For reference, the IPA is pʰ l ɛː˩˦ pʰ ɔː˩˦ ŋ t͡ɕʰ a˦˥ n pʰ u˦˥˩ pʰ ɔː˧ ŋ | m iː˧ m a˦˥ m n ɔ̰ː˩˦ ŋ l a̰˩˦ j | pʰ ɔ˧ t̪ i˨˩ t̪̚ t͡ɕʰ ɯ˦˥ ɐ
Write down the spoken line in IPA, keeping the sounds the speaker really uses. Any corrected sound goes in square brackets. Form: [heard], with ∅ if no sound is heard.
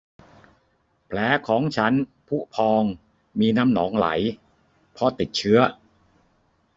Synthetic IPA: pʰ l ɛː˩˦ [kʰ] ɔː˩˦ ŋ t͡ɕʰ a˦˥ n pʰ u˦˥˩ pʰ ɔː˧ ŋ | m iː˧ [n] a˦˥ m n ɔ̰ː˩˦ ŋ l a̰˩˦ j | pʰ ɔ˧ t̪ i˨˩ t̪̚ t͡ɕʰ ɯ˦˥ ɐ